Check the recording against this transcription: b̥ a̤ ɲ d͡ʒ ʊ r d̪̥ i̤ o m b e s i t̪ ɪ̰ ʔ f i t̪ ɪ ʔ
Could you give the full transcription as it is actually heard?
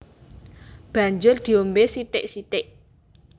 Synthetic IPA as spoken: b̥ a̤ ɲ d͡ʒ ʊ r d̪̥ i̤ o m b e s i t̪ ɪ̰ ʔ s i t̪ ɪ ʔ

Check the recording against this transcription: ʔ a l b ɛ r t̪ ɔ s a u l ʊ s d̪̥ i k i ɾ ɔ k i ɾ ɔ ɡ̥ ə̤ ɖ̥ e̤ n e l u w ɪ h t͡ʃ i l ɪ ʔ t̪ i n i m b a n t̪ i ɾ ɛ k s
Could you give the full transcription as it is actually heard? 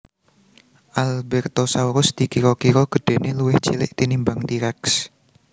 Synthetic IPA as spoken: ʔ a l b ɛ r t̪ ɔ s a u ɾ ʊ s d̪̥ i k i ɾ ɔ k i ɾ ɔ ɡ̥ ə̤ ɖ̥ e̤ n e l u w ɪ h t͡ʃ i l ɪ ʔ t̪ i n i m b a ŋ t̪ i ɾ ɛ k s

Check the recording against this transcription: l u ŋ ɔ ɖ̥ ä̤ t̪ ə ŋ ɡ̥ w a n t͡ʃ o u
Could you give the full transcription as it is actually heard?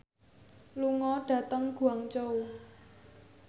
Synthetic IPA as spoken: l u ŋ ɔ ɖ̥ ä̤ t̪ ə ŋ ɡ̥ u a ŋ t͡ʃ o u

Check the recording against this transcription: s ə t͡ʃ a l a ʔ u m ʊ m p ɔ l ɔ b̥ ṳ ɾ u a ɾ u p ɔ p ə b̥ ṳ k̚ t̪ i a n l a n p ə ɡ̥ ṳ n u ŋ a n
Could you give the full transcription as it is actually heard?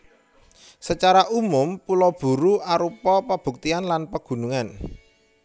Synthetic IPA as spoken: s ə t͡ʃ a ɾ a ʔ u m ʊ m p u l ɔ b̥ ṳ ɾ u a ɾ u p ɔ p ə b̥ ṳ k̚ t̪ i a n l a n p ə ɡ̥ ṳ n u ŋ a n

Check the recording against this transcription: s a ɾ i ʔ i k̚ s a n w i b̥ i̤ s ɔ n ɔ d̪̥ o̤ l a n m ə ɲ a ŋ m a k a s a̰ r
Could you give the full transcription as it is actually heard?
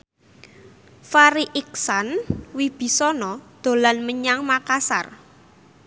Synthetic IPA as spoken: f a ɾ i ʔ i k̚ s a n w i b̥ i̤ s ɔ n ɔ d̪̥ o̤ l a n m ə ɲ a ŋ m a k a s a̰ r

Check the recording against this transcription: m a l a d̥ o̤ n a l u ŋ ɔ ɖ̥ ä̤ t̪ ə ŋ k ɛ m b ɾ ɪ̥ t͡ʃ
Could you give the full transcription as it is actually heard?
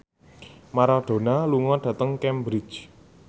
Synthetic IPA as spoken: m a ɾ a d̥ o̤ n a l u ŋ ɔ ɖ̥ ä̤ t̪ ə ŋ k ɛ m b ɾ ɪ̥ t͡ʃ

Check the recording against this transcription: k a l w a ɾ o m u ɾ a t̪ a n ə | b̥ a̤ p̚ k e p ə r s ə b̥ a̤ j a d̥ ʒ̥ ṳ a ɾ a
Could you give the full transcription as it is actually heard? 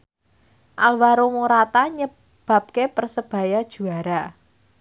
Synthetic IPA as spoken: ʔ a l w a ɾ o m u ɾ a t̪ a ɲ ə | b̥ a̤ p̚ k e p ə r s ə b̥ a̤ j a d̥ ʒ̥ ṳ a ɾ a

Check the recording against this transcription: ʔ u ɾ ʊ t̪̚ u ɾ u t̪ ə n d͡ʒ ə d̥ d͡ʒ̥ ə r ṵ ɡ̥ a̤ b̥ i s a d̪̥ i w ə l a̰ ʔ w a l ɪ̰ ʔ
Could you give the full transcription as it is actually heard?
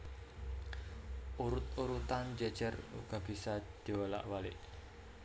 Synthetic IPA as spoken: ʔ u ɾ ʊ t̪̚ u ɾ u t̪ a n d͡ʒ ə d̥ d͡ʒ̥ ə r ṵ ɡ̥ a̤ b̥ i s a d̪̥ i w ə l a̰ ʔ w a l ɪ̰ ʔ

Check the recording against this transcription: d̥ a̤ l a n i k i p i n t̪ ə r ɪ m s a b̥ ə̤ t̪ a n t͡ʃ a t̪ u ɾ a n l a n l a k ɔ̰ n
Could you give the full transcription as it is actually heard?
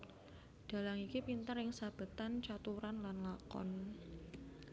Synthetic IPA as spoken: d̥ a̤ l a ŋ i k i p i n t̪ ə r ɪ ŋ s a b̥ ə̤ t̪ a n t͡ʃ a t̪ u ɾ a n l a n l a k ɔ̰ n

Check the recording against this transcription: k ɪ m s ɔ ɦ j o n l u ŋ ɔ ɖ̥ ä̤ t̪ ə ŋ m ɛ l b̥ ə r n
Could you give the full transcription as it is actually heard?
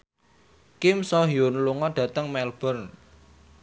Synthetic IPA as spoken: k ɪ m s ɔ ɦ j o n l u ŋ ɔ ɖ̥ ä̤ t̪ ə ŋ m ɛ l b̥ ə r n

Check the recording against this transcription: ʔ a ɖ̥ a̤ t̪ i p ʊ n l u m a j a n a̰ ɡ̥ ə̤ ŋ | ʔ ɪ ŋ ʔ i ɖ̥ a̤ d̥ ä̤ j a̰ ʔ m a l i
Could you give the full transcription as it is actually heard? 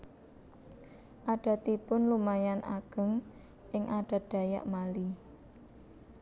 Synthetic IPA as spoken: ʔ a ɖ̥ a̤ t̪ i p ʊ n l u m a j a n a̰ ɡ̥ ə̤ ŋ | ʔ ɪ ŋ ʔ a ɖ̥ a̤ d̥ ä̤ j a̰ ʔ m a l i

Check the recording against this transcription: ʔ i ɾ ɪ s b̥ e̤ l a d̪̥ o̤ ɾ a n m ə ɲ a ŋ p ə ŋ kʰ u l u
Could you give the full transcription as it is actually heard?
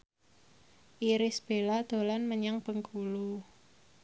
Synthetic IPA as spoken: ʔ i ɾ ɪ s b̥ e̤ l a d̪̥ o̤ l a n m ə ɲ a ŋ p ə ŋ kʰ u l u

